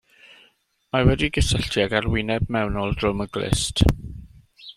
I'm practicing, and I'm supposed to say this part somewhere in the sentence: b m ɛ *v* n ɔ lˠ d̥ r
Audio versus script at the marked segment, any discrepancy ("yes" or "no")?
yes